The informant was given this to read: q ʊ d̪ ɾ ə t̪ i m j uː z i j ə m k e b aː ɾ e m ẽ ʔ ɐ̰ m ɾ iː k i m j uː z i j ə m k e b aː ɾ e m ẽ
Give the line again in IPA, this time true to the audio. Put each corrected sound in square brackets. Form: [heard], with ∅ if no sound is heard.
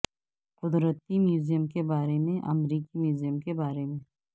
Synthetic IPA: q ʊ d̪ ɾ ə t̪ i m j uː z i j ə m k e b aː ɾ e m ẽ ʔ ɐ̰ m ɾ iː k i m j uː z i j ə m k e b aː ɾ e m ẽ